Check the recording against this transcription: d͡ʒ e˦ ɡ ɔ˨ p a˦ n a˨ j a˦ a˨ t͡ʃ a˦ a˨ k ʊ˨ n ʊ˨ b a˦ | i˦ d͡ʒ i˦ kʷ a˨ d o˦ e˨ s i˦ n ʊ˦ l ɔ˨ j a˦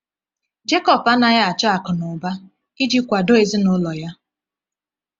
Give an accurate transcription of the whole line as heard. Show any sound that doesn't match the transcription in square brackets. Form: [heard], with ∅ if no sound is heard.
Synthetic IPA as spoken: d͡ʒ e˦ [k] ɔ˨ p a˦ n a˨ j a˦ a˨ t͡ʃ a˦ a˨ k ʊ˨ n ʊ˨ b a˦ | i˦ d͡ʒ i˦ kʷ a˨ d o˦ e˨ [z] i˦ n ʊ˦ l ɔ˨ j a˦